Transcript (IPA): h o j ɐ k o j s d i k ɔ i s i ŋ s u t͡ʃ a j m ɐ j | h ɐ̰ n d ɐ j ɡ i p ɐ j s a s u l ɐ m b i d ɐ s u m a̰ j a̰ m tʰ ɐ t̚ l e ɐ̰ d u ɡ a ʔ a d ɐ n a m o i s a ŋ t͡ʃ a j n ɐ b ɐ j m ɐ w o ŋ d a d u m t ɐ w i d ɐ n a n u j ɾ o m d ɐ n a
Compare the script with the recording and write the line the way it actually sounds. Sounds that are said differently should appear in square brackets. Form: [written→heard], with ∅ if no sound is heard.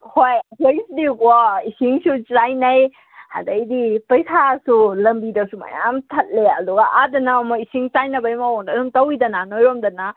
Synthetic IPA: h o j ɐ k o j s d i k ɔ i s i ŋ s u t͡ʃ a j [m→n] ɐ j | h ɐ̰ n d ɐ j [ɡ→d] i p ɐ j s a s u l ɐ m b i d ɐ s u m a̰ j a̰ m tʰ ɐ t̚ l e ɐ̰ d u ɡ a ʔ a d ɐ n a m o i s [a→i] ŋ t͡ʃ a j n ɐ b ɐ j m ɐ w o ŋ d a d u m t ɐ w i d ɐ n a n [u→o] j ɾ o m d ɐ n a